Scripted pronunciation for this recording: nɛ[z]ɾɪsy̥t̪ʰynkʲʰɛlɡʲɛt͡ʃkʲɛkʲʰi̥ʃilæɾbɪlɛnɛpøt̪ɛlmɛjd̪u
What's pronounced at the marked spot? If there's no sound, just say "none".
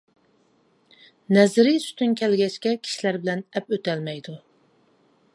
z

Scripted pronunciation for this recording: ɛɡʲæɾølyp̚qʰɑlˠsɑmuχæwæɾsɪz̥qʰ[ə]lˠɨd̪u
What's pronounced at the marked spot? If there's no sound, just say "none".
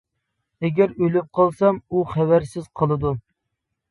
ə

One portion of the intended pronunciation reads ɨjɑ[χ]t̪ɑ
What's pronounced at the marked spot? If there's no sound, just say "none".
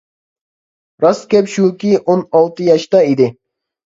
ʃ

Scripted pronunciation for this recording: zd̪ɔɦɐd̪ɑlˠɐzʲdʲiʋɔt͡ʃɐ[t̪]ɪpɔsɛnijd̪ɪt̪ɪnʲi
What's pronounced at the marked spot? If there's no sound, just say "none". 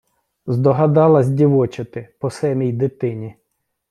t̪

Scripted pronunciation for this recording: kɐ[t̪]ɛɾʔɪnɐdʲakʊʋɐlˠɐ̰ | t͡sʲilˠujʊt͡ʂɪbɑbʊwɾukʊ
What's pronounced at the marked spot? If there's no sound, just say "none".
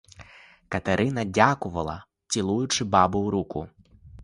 t̪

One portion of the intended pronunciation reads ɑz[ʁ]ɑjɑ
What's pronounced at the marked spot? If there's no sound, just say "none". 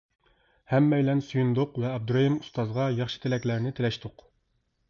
ʁ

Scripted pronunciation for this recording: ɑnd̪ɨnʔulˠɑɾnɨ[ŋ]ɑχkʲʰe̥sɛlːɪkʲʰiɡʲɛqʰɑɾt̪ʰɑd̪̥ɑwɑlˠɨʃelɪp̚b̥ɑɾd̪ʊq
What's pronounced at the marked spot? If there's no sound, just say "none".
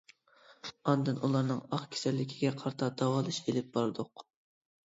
ŋ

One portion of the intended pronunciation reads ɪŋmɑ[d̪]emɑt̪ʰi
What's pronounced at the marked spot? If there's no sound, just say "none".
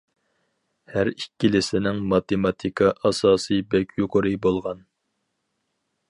t̪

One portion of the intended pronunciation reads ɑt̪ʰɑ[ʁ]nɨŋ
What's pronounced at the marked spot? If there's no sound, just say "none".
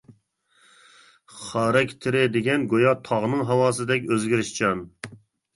ʁ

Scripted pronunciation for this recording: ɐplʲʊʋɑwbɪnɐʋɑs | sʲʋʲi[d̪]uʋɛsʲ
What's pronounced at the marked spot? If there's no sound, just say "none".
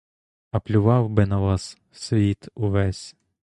t̪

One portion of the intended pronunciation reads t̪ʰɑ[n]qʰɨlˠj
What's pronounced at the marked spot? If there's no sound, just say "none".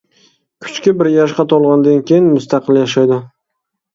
none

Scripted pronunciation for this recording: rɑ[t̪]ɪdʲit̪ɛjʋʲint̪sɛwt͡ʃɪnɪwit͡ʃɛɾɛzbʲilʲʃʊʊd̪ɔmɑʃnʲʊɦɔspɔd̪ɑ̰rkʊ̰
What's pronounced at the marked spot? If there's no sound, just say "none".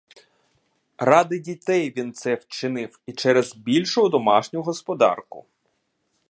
d̪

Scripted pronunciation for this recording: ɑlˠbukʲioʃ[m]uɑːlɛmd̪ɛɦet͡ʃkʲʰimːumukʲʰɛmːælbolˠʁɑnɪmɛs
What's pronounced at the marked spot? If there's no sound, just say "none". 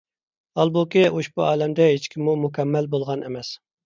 b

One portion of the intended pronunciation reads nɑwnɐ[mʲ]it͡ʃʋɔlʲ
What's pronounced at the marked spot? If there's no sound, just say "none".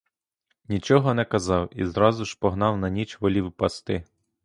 nʲ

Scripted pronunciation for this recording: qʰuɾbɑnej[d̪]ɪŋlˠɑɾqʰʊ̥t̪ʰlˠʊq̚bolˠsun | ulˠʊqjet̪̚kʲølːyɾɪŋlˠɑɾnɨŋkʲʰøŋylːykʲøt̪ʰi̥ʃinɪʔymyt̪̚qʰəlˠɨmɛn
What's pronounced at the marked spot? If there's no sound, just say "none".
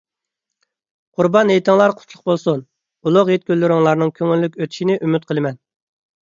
t̪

